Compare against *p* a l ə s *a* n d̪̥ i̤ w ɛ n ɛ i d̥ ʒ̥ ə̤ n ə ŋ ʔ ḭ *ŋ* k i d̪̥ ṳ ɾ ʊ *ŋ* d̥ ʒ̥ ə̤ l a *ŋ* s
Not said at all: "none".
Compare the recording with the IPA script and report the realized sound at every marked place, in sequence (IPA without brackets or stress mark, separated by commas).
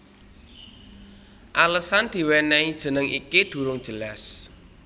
ʔ, a, none, ŋ, none